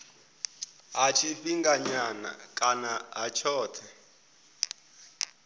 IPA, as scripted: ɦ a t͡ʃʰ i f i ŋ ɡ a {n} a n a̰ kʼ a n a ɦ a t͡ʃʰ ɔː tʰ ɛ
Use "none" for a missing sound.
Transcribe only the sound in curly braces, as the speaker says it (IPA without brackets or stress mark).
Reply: ɲ